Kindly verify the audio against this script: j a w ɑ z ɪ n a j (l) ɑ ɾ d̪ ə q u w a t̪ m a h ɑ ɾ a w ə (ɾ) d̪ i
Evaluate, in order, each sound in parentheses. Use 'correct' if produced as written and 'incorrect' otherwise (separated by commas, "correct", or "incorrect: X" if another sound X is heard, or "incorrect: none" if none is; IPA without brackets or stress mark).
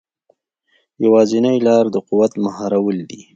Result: correct, incorrect: l